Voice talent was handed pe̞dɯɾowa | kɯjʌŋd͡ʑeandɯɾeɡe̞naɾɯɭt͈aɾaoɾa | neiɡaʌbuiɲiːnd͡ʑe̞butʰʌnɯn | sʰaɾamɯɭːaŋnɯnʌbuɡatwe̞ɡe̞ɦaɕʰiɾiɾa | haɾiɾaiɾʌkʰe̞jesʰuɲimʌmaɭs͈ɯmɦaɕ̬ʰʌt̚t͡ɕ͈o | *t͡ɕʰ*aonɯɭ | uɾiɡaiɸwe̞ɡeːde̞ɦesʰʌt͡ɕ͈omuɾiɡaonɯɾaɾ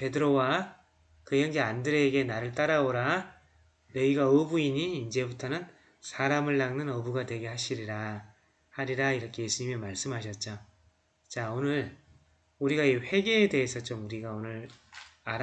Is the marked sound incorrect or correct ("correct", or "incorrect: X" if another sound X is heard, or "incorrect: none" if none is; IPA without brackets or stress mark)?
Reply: incorrect: t͡ɕ